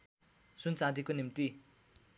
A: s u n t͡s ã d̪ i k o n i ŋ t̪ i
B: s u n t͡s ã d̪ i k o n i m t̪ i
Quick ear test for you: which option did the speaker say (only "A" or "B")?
B